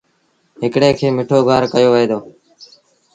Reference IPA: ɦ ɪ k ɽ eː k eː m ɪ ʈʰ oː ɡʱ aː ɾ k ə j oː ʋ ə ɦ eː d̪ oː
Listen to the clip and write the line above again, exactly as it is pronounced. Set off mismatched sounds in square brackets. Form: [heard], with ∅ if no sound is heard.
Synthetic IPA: ɦ ɪ k ɽ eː [kʰ] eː m ɪ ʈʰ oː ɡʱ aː ɾ k ə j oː ʋ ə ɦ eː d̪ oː